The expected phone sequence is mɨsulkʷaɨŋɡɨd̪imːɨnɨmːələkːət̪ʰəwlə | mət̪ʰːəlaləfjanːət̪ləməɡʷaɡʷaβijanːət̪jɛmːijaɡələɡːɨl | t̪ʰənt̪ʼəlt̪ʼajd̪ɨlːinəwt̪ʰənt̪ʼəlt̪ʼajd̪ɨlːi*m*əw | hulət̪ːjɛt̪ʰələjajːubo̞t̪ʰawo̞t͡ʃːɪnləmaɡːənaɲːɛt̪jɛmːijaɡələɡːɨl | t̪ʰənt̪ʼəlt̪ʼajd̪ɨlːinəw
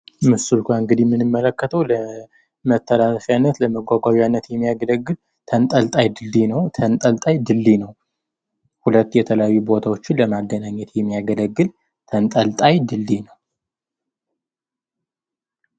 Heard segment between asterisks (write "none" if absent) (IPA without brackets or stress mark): n